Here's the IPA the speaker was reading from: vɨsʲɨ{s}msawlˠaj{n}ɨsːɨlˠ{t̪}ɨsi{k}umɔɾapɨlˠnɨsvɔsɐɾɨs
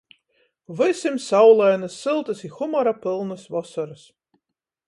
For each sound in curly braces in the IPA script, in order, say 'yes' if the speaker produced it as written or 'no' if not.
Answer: no, yes, yes, no

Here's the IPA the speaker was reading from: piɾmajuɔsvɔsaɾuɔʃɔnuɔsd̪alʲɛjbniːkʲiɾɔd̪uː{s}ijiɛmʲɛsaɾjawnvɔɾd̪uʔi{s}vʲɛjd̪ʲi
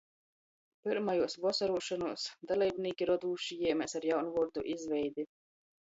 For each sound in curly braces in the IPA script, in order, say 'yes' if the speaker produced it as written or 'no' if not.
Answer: no, no

